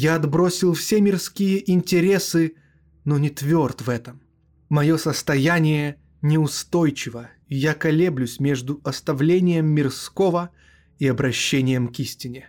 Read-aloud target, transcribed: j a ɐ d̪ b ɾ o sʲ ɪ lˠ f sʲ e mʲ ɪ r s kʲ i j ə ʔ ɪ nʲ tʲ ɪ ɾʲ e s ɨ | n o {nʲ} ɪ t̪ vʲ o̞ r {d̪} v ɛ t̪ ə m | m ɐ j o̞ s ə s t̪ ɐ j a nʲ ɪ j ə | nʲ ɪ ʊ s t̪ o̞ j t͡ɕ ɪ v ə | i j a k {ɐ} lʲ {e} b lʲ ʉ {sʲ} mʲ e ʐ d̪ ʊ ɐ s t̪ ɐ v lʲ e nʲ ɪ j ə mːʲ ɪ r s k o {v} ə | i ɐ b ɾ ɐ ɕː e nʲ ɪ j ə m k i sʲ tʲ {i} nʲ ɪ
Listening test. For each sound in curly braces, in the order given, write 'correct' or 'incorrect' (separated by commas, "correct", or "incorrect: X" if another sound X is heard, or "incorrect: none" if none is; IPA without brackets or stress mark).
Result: correct, incorrect: t̪, correct, correct, correct, correct, incorrect: ɪ